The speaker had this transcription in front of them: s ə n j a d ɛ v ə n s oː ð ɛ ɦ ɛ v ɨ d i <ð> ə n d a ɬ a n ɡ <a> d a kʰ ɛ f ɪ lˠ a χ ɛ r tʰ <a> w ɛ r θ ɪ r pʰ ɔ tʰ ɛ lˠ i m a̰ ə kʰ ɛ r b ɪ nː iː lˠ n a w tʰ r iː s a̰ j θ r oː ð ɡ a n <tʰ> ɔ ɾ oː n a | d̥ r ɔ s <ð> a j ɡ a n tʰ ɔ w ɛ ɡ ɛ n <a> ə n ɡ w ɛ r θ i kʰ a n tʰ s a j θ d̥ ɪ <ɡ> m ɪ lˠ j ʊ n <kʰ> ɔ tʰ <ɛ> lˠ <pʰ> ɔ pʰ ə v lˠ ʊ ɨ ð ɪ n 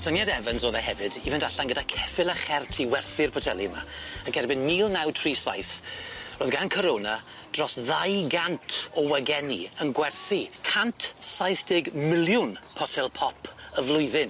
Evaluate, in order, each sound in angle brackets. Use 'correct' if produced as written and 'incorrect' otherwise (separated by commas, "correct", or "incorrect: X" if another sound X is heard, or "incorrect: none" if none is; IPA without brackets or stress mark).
incorrect: v, incorrect: ə, incorrect: i, incorrect: kʰ, correct, incorrect: i, correct, incorrect: pʰ, correct, correct